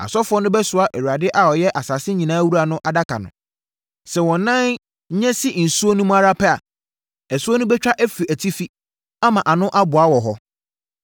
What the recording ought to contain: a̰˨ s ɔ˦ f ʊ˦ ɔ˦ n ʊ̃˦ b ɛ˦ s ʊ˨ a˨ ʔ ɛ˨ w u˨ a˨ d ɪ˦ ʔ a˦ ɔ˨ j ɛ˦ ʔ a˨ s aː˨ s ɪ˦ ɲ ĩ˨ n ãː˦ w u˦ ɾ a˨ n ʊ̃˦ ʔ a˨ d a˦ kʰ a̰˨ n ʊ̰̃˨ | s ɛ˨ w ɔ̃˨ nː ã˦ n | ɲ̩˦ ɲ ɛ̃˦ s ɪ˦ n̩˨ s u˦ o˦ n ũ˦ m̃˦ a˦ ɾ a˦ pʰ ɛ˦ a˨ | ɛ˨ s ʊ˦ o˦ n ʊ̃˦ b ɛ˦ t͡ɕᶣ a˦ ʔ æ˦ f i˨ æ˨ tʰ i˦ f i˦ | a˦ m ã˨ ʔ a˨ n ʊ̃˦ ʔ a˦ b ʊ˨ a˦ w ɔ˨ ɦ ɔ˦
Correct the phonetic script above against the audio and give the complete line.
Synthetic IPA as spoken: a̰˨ s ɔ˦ f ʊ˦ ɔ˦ n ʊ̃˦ b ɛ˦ s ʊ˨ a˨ ʔ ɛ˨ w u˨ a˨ d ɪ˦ ʔ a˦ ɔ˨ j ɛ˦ ʔ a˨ s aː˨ s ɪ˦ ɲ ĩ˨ n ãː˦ w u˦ ɾ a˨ n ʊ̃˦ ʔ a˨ d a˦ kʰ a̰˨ n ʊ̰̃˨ | s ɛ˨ w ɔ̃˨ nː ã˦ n | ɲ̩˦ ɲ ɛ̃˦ s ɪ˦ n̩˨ s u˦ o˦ n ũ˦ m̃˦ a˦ ɾ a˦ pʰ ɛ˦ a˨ | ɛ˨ s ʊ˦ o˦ n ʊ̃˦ b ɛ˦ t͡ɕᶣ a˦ ʔ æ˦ f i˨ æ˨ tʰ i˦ f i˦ | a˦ m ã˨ ʔ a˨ n ʊ̃˦ ʔ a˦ b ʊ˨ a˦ w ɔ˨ ɦ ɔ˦